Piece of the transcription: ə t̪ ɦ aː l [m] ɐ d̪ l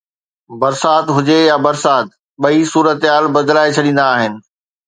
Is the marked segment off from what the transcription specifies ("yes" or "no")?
yes